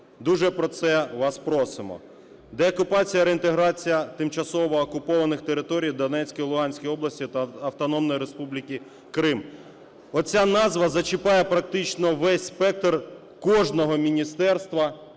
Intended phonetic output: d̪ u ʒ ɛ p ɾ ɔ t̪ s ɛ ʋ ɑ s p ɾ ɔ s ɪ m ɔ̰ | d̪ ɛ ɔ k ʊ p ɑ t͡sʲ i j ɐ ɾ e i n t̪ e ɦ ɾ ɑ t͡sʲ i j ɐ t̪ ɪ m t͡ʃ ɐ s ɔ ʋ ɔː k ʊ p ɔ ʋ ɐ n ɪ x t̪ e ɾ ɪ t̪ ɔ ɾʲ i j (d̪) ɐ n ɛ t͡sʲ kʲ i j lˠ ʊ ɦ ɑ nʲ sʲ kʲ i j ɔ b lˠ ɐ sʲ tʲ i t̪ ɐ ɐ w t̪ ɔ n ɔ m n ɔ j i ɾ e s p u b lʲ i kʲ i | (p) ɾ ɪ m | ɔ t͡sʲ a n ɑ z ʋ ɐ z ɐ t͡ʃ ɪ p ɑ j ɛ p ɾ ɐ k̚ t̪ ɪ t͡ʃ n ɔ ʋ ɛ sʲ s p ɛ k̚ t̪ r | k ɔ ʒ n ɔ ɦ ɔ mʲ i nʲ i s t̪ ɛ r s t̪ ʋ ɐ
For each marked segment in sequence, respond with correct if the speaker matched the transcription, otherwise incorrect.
correct, incorrect: k

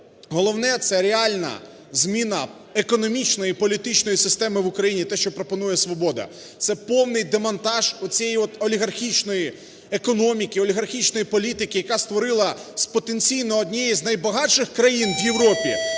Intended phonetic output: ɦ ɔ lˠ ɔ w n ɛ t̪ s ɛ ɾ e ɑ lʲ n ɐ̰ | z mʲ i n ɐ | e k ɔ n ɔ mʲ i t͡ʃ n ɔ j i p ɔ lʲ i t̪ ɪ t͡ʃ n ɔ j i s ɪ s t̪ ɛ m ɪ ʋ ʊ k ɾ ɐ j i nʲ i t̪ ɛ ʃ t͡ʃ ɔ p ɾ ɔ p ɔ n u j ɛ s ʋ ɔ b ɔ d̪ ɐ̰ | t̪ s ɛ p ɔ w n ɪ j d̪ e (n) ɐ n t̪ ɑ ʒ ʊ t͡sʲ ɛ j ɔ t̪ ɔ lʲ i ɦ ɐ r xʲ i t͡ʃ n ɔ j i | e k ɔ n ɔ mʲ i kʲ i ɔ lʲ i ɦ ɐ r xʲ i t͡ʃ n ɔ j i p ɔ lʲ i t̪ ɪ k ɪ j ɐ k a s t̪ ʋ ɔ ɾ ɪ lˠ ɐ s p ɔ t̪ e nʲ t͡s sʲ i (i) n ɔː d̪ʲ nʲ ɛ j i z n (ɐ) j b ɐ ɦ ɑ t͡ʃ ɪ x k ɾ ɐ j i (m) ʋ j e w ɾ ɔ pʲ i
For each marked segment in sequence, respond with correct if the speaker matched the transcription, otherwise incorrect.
incorrect: m, incorrect: j, correct, incorrect: n

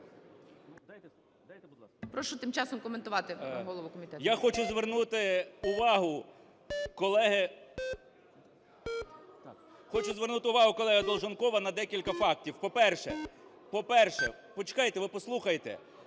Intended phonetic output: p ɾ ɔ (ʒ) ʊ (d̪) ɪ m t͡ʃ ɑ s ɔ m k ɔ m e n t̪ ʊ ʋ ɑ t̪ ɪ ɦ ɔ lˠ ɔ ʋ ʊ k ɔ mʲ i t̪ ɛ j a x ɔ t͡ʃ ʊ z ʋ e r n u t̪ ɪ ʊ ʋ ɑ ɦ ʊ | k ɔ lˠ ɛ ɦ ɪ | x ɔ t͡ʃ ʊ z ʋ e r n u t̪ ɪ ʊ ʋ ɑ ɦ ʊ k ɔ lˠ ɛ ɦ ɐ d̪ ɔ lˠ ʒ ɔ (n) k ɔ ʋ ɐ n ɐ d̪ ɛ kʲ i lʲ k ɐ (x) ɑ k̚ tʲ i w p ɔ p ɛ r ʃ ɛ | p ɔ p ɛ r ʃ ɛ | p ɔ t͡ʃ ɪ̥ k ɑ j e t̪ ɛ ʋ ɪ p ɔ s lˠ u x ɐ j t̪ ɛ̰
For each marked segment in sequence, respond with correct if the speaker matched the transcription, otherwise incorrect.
incorrect: ʃ, incorrect: t̪, correct, incorrect: f

